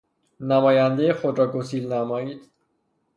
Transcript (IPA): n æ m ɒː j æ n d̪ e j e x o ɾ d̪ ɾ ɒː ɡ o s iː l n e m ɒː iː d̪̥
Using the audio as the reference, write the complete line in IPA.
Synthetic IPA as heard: n æ m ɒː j æ n d̪ e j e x o d̪ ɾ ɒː ɡ o s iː l n æ m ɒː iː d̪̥